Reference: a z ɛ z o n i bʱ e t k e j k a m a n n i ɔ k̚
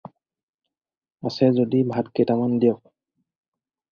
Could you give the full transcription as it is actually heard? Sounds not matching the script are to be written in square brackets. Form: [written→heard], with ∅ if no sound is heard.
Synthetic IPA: a [z→s] ɛ z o [n→d] i bʱ [e→a] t k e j [k→t] a m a n [n→d] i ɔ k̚